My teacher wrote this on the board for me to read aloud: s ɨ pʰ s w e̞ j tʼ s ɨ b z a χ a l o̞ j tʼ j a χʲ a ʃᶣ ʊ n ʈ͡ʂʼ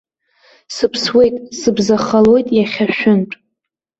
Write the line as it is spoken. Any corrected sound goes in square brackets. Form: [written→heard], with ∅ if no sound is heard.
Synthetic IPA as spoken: s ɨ pʰ s w e̞ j tʼ s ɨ b z a χ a l o̞ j tʼ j a χʲ a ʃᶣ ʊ n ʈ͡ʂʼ